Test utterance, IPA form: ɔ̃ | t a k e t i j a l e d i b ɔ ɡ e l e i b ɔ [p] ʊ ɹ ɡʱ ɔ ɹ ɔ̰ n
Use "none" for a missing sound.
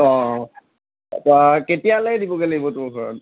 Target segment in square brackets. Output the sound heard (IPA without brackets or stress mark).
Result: t